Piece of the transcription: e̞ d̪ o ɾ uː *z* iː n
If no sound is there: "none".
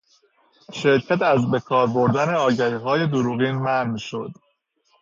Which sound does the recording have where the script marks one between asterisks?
ɣ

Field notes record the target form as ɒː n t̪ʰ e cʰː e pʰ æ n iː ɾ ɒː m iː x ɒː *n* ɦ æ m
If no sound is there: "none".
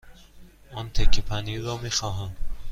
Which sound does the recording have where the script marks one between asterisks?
none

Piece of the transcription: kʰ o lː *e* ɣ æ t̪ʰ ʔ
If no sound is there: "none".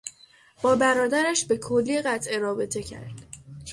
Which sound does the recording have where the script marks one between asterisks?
i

